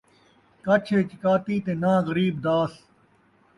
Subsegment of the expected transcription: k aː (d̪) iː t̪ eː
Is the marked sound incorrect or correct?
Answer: incorrect: t̪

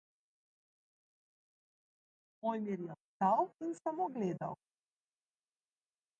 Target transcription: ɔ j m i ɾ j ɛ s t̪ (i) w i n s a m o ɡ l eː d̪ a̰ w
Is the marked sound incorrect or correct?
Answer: incorrect: a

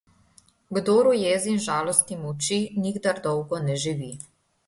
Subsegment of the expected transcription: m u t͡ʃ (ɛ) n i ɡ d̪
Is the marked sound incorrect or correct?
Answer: incorrect: i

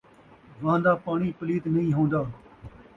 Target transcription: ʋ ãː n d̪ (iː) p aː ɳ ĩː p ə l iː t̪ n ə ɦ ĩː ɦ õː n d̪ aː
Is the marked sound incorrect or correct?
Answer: incorrect: aː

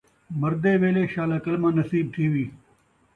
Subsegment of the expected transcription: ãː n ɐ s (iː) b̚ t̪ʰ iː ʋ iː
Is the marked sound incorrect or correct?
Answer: correct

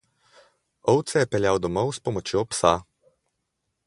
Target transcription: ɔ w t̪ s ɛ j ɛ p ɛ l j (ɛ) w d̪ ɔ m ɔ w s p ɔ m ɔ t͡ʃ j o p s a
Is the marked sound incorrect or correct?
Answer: incorrect: a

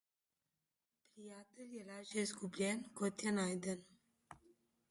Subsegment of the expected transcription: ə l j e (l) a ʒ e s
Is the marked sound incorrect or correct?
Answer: correct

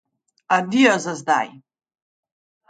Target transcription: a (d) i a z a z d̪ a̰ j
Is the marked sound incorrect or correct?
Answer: correct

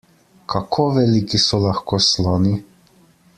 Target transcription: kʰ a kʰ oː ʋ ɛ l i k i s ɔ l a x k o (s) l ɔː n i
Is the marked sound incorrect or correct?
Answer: correct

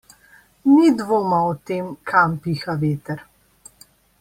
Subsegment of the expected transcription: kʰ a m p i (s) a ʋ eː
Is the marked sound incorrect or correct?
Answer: incorrect: x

